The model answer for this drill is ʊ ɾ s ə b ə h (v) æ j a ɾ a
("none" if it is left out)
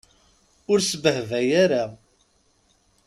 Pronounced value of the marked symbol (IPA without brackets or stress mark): v